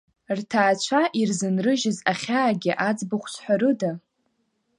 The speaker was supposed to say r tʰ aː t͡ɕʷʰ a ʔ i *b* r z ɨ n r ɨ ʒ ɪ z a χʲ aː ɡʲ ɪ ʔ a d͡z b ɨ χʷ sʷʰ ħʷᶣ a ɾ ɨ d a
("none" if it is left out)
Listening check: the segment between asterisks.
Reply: none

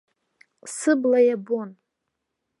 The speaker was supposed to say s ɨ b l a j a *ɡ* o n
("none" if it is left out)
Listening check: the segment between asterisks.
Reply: b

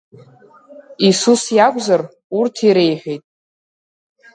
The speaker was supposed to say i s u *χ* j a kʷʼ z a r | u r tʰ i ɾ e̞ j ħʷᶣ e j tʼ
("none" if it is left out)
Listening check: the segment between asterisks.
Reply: s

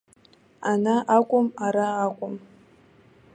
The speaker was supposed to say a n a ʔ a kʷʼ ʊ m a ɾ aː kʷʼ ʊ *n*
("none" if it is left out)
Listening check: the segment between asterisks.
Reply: m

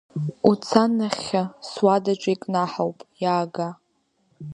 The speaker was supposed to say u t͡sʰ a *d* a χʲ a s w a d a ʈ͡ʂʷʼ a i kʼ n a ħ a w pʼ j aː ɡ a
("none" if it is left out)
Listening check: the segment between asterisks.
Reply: n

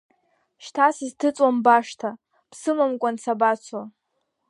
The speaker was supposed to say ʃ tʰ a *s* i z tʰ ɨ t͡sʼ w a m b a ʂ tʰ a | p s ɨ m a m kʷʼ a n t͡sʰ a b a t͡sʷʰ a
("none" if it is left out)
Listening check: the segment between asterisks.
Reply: s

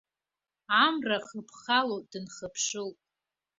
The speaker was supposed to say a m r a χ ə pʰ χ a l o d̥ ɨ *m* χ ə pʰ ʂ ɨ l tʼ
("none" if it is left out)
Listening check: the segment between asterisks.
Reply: n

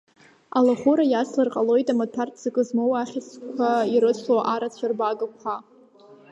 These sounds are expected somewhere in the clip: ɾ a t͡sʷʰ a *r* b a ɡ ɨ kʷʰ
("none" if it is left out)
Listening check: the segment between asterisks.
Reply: r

